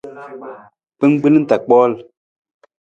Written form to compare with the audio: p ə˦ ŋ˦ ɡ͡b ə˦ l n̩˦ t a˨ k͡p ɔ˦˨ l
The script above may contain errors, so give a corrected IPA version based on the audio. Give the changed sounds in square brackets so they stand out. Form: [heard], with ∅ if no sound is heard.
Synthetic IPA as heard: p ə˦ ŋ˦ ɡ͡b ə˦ l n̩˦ t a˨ k͡p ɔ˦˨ l